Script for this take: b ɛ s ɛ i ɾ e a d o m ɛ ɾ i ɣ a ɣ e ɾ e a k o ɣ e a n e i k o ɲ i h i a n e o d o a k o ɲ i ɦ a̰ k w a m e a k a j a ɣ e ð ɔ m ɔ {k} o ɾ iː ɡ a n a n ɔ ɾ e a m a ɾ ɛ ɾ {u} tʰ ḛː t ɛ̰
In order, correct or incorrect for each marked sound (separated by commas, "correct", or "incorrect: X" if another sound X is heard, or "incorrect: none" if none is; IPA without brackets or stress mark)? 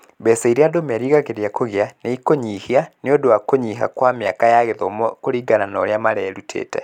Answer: correct, correct